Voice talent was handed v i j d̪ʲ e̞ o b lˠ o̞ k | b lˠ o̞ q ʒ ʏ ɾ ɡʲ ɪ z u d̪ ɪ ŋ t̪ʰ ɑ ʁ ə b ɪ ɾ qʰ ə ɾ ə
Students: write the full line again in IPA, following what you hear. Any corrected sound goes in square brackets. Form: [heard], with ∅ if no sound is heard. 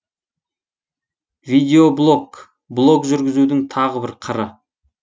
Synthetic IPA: v i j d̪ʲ e̞ o b lˠ o̞ k | b lˠ o̞ [k] ʒ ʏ ɾ ɡʲ ɪ z u d̪ ɪ ŋ t̪ʰ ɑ ʁ ə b ɪ ɾ qʰ ə ɾ ə